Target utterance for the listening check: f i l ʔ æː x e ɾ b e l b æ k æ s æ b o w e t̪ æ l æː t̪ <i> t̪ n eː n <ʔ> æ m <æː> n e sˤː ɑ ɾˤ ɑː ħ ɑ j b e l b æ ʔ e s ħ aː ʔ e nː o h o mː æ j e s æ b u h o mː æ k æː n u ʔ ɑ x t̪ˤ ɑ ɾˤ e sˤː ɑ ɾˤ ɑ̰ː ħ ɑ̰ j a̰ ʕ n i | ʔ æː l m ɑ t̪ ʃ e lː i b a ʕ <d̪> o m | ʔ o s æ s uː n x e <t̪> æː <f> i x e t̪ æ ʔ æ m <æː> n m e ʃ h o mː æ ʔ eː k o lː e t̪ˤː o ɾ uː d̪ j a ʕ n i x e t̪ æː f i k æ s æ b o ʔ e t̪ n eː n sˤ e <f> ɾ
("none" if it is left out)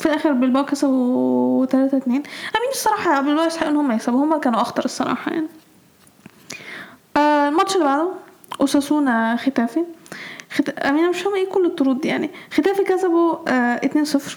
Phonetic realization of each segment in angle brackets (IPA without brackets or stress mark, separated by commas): æ, ʔ, iː, d̪, t̪, f, iː, f